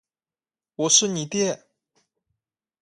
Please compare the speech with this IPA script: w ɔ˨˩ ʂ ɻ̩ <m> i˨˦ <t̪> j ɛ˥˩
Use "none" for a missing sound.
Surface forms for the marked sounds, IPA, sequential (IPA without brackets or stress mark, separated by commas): n, t̪